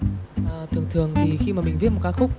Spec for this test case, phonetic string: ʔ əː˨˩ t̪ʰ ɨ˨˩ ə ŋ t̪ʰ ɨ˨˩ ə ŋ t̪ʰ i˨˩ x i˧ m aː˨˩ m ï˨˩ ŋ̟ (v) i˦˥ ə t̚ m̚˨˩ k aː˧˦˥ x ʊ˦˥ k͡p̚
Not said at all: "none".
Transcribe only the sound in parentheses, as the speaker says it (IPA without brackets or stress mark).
v